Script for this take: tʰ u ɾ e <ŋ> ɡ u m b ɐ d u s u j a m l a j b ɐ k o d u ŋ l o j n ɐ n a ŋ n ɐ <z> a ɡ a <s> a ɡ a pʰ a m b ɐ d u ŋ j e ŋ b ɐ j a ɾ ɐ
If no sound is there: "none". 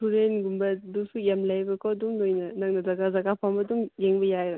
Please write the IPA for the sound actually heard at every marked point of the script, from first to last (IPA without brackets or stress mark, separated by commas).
n, z, z